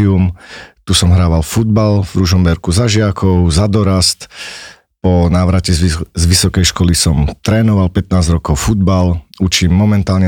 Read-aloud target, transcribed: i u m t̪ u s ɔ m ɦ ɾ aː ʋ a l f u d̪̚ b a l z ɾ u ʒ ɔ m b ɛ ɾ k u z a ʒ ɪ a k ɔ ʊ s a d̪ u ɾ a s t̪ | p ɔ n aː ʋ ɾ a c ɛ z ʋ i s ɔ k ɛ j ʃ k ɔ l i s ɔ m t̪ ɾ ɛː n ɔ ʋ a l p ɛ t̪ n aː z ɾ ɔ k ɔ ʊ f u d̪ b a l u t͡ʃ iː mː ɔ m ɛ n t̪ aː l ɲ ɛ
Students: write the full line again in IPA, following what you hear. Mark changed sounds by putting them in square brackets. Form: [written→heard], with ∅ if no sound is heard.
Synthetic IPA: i u m t̪ u s ɔ m ɦ ɾ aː ʋ a l f u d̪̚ b a l [z→v] ɾ u ʒ ɔ m b ɛ ɾ k u z a ʒ ɪ a k ɔ ʊ [s→z] a d̪ [u→ɔ] ɾ a s t̪ | p ɔ n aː ʋ ɾ a c ɛ z ʋ i s ɔ k ɛ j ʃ k ɔ l i s ɔ m t̪ ɾ ɛː n ɔ ʋ a l p ɛ t̪ n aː z ɾ ɔ k ɔ ʊ f u d̪ b a l u t͡ʃ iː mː ɔ m ɛ n t̪ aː l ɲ ɛ